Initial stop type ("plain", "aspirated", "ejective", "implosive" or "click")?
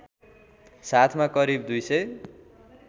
aspirated